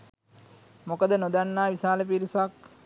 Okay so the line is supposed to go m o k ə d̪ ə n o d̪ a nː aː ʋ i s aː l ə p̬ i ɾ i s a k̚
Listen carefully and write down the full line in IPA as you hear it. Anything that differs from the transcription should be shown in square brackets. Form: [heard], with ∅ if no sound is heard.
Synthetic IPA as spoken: m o k ə d̪ ə n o d̪ a nː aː ʋ i s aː l ə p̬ i ɾ i s a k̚